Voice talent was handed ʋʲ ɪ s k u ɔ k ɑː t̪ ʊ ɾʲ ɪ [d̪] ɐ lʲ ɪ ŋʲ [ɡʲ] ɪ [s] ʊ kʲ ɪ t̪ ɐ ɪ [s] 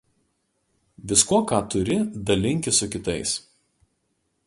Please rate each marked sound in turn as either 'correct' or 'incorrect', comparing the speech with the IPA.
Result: correct, incorrect: kʲ, correct, correct

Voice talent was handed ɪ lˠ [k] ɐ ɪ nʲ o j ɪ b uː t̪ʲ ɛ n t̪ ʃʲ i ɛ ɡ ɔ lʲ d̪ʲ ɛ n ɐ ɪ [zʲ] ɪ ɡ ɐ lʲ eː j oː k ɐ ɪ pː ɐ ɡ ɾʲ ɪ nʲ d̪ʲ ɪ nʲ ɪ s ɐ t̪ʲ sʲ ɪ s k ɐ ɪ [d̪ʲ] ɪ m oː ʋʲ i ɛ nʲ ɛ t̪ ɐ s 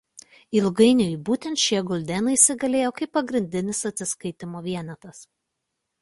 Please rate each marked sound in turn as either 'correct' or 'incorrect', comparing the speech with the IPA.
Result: incorrect: ɡ, incorrect: sʲ, incorrect: t̪ʲ

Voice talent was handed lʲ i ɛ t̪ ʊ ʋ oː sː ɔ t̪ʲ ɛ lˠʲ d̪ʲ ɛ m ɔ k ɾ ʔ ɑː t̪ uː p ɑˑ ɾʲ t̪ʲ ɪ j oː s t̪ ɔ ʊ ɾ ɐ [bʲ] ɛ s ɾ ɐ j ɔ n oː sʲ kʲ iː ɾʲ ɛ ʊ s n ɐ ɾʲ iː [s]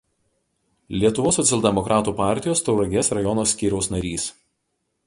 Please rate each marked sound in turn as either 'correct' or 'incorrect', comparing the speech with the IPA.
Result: incorrect: ɡʲ, correct

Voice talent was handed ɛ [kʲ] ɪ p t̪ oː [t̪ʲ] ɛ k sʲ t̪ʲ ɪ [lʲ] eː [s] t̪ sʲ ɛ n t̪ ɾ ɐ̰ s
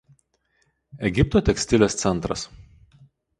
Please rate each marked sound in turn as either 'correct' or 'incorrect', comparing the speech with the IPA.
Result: incorrect: ɡʲ, correct, correct, correct

